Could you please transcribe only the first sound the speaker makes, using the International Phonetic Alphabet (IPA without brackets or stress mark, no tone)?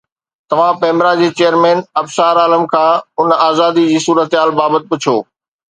t̪